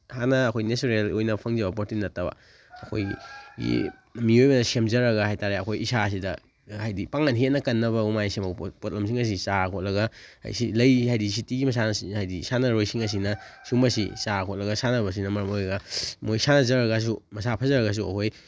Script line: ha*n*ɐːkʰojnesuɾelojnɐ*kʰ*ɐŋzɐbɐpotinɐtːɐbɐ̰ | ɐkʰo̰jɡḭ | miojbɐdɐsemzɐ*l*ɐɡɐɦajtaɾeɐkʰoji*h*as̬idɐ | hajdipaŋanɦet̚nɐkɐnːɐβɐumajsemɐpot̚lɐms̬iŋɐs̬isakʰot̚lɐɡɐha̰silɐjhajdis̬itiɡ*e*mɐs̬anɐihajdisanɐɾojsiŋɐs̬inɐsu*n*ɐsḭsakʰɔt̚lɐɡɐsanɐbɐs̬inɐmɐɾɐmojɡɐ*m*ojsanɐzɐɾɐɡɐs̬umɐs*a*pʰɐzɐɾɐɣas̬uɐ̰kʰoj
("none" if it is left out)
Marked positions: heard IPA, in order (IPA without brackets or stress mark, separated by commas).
n, pʰ, ɾ, s, i, m, m, a